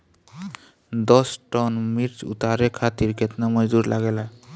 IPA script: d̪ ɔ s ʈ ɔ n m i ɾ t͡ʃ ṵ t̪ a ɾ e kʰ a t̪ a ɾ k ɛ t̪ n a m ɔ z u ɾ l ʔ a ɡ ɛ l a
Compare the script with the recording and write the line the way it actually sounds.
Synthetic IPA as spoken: d̪ ɔ s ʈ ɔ n m i ɾ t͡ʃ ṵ t̪ a ɾ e kʰ a t̪ i ɾ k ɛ t̪ n a m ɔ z u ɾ l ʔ a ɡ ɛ l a